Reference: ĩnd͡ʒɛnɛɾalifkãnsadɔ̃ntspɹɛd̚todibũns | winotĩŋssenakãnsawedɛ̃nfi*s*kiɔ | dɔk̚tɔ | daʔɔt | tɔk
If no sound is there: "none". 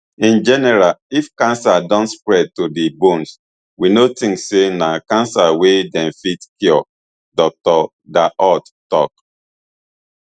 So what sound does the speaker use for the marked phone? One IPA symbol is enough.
t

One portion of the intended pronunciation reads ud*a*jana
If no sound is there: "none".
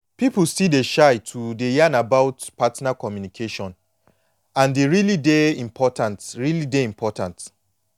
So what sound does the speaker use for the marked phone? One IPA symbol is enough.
e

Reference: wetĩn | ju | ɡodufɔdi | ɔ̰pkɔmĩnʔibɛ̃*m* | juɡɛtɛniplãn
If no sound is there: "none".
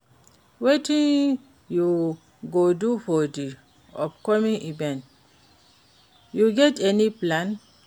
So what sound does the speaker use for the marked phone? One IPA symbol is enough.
n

